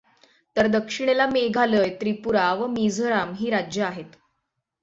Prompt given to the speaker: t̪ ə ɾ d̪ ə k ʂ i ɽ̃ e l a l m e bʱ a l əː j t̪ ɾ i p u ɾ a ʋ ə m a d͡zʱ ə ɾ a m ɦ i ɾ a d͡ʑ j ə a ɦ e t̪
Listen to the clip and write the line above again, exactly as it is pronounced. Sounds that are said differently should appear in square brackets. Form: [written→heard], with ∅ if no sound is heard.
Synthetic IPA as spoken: t̪ ə ɾ d̪ ə k ʂ i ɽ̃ e l a [l→∅] m e [bʱ→ɡʱ] a l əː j t̪ ɾ i p u ɾ a ʋ ə m [a→i] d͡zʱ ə ɾ a m ɦ [i→iː] ɾ a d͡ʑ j ə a ɦ e t̪